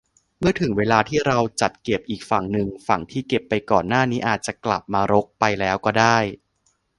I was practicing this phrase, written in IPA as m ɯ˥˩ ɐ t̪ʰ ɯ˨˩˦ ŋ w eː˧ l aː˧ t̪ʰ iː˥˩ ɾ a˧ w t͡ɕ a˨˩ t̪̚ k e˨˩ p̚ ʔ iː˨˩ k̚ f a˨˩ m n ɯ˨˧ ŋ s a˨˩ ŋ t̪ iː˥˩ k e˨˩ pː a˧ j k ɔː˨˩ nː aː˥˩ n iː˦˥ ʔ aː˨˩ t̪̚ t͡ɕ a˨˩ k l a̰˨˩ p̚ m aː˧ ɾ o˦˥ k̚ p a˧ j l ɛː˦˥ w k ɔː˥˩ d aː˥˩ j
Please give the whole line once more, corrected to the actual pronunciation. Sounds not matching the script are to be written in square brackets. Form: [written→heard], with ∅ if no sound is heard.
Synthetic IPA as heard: m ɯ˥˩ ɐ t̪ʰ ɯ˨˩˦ ŋ w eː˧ l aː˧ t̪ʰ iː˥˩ ɾ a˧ w t͡ɕ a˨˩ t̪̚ k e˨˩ p̚ ʔ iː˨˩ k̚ f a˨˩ [m→ŋ] n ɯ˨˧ ŋ [s→f] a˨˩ ŋ [t̪→t̪ʰ] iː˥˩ k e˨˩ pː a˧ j k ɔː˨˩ nː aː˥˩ n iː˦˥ ʔ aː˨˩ t̪̚ t͡ɕ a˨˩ k l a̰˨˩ p̚ m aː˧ ɾ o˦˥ k̚ p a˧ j l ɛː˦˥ w k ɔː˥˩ d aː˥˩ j